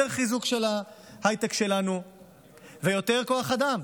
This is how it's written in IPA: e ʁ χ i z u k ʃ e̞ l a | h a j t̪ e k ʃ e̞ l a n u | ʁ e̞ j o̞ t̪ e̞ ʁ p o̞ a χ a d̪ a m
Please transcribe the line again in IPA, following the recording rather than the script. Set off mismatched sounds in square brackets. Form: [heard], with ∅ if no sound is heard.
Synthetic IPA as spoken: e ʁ χ i z u k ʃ e̞ l a | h a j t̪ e k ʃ e̞ l a n u | [v] e̞ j o̞ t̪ e̞ ʁ [k] o̞ a χ a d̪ a m